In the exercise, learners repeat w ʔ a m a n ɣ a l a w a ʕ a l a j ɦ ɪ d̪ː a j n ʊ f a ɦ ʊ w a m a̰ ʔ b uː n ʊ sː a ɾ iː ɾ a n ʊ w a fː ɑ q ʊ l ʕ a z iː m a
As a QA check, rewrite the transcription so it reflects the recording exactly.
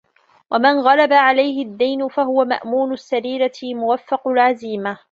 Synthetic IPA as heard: w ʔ a m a n ɣ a l a b a ʕ a l a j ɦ ɪ d̪ː a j n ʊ f a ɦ ʊ w a m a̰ ʔ m uː n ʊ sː a ɾ iː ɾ a m ʊ w a fː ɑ q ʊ l ʕ a z iː m a